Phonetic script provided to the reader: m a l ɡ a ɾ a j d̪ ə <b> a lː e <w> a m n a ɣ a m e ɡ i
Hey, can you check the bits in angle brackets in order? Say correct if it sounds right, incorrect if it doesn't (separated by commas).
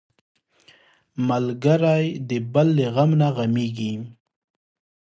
correct, incorrect